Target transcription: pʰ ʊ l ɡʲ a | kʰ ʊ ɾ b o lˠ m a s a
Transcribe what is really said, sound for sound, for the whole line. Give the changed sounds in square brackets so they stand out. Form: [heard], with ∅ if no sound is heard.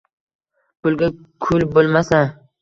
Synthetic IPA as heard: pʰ ʊ l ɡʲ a | kʰ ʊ [l] b o lˠ m a s a